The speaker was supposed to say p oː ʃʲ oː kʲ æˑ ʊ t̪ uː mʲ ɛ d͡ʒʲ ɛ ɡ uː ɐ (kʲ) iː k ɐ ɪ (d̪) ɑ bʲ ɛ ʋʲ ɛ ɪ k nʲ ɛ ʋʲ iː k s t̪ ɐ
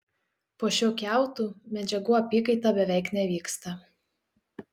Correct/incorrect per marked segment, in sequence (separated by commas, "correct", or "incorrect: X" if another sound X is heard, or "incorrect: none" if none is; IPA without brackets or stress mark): incorrect: pʲ, incorrect: t̪